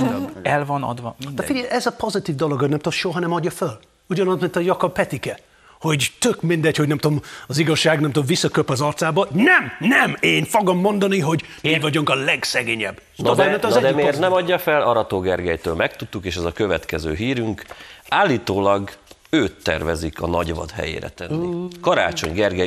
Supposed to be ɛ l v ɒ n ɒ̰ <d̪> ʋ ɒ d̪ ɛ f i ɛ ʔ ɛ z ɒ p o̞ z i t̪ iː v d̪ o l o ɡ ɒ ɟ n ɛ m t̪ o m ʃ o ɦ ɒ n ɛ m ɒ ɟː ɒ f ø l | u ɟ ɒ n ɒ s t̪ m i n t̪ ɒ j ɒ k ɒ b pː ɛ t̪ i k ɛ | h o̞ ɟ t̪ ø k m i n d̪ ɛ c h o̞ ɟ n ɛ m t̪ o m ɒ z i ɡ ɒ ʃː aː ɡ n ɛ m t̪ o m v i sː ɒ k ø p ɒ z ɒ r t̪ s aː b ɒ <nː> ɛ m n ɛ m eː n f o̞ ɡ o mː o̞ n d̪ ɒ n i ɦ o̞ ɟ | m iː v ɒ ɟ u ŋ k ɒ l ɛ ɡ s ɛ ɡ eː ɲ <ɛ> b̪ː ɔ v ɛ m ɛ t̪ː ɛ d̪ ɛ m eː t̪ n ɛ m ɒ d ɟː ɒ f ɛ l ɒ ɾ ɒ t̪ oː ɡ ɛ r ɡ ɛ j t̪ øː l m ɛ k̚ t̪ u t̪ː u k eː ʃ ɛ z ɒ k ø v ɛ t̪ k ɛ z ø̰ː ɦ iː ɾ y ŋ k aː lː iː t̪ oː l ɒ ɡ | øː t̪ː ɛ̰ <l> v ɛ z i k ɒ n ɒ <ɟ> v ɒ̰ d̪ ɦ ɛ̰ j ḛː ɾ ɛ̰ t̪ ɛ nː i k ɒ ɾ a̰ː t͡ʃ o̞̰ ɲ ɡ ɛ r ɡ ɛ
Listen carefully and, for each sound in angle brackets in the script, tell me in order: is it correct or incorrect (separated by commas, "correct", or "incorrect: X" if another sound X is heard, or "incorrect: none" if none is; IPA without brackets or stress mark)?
correct, incorrect: n, correct, incorrect: r, correct